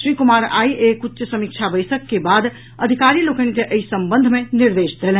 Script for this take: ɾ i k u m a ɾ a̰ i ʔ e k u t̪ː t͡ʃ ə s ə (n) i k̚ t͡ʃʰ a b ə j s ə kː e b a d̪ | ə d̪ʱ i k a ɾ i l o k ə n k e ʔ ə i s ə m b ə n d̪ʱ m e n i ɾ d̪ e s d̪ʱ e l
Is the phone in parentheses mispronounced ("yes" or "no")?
yes